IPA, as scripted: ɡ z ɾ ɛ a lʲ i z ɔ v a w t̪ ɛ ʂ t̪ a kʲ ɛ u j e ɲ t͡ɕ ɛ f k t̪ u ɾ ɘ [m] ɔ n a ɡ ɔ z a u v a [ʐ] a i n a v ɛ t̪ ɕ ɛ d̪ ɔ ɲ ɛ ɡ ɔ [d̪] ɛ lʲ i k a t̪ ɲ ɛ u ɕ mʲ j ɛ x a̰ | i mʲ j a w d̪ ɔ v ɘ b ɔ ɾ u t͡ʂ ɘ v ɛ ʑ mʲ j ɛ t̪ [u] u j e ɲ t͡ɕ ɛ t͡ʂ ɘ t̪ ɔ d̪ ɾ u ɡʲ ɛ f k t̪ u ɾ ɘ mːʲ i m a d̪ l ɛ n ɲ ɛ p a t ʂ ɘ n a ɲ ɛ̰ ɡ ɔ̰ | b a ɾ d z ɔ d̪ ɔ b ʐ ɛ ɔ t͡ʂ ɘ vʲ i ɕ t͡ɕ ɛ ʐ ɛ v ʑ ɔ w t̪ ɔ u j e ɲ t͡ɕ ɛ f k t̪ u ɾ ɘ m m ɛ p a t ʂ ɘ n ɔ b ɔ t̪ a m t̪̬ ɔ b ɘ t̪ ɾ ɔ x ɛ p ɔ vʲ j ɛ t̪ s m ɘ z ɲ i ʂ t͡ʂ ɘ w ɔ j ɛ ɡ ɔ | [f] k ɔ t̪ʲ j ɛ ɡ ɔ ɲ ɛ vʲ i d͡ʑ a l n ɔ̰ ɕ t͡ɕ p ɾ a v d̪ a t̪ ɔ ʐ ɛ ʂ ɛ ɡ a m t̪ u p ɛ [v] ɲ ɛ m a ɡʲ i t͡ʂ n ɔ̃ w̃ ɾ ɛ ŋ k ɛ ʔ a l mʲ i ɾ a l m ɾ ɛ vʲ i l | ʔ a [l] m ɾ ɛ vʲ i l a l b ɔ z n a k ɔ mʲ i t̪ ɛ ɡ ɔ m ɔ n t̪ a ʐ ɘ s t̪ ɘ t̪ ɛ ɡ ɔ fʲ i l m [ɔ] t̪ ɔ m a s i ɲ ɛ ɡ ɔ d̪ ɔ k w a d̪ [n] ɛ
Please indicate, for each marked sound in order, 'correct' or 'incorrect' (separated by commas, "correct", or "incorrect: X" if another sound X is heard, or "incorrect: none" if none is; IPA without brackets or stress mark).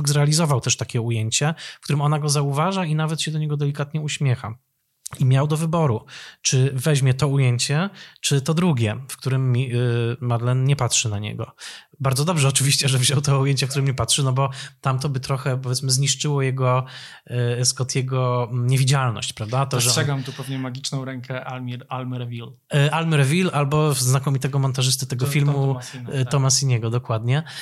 correct, correct, correct, incorrect: ɔ, incorrect: s, correct, correct, incorrect: u, incorrect: ɲ